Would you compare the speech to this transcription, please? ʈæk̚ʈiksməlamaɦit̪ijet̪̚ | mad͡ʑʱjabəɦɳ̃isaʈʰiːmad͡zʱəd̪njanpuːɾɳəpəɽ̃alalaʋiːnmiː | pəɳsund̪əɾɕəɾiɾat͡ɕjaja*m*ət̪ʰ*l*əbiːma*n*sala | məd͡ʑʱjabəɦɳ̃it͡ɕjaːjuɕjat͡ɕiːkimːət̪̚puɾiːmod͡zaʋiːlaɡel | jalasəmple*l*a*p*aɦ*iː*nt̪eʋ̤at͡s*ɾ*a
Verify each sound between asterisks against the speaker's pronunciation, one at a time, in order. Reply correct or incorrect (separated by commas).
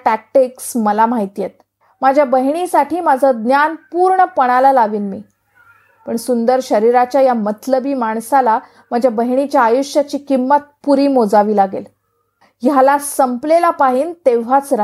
correct, correct, incorrect, correct, correct, correct, correct